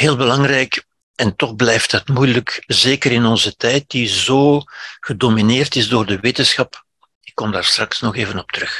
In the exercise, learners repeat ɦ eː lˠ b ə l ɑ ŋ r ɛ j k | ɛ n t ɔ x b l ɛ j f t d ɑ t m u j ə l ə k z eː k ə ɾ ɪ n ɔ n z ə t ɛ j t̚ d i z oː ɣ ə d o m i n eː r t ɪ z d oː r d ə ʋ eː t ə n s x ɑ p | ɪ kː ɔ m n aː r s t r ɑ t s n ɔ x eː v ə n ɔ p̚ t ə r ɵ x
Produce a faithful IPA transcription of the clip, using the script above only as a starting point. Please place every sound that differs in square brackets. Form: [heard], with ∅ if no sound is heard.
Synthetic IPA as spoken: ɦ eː lˠ b ə l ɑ ŋ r ɛ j k | ɛ n t ɔ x b l ɛ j f t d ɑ t m u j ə l ə k z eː k ə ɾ ɪ n ɔ n z ə t ɛ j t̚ d i z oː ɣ ə d o m i n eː r t ɪ z d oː r d ə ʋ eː t ə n s x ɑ p | ɪ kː ɔ m [d] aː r s t r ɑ [k] s n ɔ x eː v ə n ɔ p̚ t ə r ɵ x